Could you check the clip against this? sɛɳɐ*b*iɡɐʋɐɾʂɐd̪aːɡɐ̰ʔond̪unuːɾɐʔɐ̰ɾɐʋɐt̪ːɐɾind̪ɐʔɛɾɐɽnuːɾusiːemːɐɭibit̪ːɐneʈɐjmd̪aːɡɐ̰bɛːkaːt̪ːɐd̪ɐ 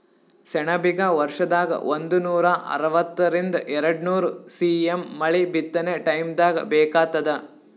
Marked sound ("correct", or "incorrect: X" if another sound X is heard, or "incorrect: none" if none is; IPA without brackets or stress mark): correct